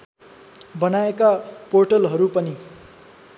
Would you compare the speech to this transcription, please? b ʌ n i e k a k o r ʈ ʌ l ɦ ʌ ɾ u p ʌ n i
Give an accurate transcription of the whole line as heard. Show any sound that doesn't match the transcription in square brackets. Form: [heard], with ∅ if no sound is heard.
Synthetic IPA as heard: b ʌ n [a] e k a [p] o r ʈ ʌ l ɦ ʌ ɾ u p ʌ n i

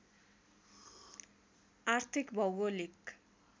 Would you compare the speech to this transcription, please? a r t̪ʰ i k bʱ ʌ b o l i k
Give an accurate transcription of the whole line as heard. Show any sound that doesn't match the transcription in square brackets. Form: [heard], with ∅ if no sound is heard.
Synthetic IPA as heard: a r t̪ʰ i k bʱ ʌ [w] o l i k

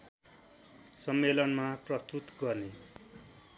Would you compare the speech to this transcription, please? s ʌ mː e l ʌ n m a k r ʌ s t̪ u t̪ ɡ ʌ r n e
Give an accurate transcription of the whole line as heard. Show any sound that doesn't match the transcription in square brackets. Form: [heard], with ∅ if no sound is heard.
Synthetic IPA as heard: s ʌ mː e l ʌ n m a [p] r ʌ s t̪ u t̪ ɡ ʌ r n e

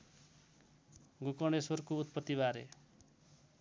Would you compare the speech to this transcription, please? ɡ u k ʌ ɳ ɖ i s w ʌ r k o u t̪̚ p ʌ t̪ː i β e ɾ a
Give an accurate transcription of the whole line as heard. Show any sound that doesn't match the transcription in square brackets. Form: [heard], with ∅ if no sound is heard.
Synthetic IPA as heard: ɡ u k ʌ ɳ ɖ [e] s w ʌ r k o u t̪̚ p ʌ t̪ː i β [a] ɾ [e]

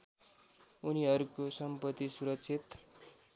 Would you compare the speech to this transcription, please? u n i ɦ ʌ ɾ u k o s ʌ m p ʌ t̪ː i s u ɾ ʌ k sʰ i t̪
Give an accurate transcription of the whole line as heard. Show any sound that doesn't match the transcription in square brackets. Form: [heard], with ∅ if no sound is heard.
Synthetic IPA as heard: u n i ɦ ʌ ɾ u k o s ʌ m p ʌ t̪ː i s u ɾ ʌ k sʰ i t̪

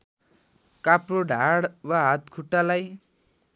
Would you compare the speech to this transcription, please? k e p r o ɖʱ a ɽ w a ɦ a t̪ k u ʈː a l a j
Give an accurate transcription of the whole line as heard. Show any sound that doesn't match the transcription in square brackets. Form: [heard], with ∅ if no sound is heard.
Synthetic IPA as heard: k [a] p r o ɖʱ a ɽ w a ɦ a t̪ [kʰ] u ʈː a l a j

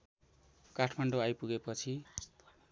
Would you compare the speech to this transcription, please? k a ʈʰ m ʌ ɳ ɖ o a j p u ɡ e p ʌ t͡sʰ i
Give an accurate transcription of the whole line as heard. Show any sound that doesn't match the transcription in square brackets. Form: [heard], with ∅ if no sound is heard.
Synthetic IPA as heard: k a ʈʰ m [a] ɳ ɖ o a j p u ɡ e p ʌ t͡sʰ i

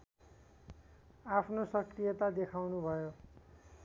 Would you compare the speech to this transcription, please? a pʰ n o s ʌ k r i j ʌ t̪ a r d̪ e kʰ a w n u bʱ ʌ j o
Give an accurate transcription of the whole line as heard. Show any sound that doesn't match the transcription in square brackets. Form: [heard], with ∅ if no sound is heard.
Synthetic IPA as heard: a pʰ n o s ʌ k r i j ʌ t̪ a [∅] d̪ e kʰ a w n u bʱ ʌ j o

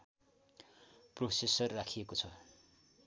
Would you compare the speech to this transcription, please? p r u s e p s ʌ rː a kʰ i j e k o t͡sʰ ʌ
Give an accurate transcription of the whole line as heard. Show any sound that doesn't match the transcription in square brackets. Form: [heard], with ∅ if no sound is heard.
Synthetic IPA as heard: p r [o] s e [∅] s ʌ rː a kʰ i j e k o t͡sʰ ʌ

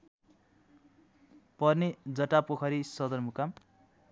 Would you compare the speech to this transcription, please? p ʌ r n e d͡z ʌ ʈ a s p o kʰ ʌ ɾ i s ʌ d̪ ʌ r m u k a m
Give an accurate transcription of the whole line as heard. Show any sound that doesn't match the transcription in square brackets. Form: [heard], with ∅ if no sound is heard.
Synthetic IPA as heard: p ʌ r n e d͡z ʌ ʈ a [∅] p o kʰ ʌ ɾ i s ʌ d̪ ʌ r m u k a m

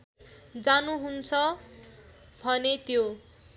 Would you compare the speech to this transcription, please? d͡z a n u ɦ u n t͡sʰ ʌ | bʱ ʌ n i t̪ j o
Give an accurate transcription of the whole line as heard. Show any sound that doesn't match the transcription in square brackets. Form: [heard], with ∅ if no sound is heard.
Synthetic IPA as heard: d͡z a n u ɦ u n t͡sʰ ʌ | bʱ ʌ n [e] t̪ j o

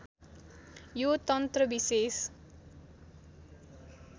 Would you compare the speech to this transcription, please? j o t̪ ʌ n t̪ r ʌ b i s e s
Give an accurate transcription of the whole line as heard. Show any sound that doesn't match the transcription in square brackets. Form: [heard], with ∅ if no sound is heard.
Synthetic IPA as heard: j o t̪ ʌ n t̪ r ʌ b i s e s

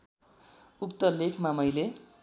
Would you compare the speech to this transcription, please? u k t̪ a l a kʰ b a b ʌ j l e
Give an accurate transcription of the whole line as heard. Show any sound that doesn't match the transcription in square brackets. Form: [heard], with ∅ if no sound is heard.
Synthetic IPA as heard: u k t̪ [ʌ] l [e] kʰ [m] a [m] ʌ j l e

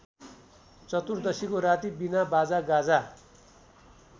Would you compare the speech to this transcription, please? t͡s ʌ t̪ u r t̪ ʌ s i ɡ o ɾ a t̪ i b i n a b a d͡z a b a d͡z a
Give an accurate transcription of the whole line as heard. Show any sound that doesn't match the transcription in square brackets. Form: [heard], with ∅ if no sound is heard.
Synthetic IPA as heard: t͡s ʌ t̪ u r [d̪] ʌ s i [k] o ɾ a t̪ i b i n a b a d͡z a [ɡ] a d͡z a

